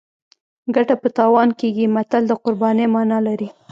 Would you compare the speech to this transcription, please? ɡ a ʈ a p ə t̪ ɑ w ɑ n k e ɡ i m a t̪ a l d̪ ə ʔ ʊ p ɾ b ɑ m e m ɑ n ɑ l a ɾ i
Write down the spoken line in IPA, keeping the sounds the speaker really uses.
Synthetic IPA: ɡ a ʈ a p ə t̪ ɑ w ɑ n k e ɡ i m a t̪ a l d̪ ə q ʊ ɾ b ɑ n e m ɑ n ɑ l a ɾ i